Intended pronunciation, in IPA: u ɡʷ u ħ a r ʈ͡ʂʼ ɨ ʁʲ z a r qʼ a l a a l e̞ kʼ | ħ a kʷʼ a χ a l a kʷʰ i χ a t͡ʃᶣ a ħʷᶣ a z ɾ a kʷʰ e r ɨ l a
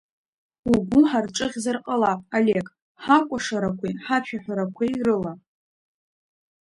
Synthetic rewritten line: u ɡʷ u ħ a r ʈ͡ʂʼ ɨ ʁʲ z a r qʼ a l a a l e̞ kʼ | ħ a kʷʼ a ʂ a ɾ a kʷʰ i ħ a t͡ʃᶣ a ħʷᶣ a ɾ a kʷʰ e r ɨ l a